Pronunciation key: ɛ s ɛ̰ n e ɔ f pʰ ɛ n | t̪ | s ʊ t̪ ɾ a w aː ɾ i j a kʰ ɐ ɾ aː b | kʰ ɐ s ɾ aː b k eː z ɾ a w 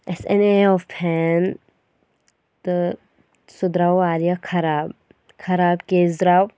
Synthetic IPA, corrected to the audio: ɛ s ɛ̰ n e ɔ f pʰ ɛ n | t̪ | s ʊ d̪ ɾ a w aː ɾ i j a kʰ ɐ ɾ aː b | kʰ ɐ ɾ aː b k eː z ɾ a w